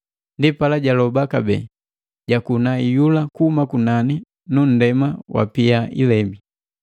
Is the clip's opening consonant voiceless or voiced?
voiced